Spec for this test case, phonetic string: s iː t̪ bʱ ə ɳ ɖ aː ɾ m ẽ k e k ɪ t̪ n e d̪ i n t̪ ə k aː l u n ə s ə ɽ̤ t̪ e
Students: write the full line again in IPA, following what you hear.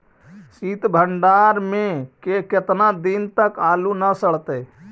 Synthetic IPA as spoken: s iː t̪ bʱ ə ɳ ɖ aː ɾ m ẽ k e k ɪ t̪ n a d̪ i n t̪ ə k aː l u n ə s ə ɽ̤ t̪ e